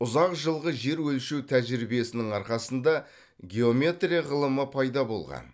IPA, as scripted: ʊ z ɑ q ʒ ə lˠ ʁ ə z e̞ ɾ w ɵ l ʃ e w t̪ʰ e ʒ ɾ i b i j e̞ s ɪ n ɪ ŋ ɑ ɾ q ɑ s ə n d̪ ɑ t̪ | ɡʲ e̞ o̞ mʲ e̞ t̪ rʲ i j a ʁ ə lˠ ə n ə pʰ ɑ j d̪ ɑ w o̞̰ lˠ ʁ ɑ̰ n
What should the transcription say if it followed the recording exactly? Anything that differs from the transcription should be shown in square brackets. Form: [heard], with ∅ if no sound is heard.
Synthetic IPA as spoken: ʊ z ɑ q ʒ ə lˠ ʁ ə [ʒ] e̞ ɾ w ɵ l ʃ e w t̪ʰ [æ] ʒ ɾ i b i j e̞ s ɪ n ɪ ŋ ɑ ɾ q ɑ s ə n d̪ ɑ [∅] | ɡʲ e̞ o̞ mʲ e̞ t̪ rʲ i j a ʁ ə lˠ ə [m] ə pʰ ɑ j d̪ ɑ [b] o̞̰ lˠ ʁ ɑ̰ n

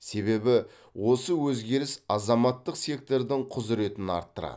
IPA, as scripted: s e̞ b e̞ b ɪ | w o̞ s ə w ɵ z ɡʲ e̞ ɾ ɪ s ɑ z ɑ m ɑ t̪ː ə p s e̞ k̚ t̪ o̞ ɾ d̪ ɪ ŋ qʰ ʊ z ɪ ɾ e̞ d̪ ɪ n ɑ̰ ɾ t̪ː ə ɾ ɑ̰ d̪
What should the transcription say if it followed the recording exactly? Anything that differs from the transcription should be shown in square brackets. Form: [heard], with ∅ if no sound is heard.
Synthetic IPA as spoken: s e̞ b e̞ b ɪ | w o̞ s ə w ɵ z ɡʲ e̞ ɾ ɪ s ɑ z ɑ m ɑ t̪ː ə [q] s e̞ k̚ t̪ o̞ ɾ d̪ ɪ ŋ qʰ ʊ z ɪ ɾ e̞ [t̪] ɪ n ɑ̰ ɾ t̪ː ə ɾ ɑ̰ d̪

